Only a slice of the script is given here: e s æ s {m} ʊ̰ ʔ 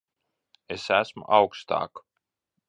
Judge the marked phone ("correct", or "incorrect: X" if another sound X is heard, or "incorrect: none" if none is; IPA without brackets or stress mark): correct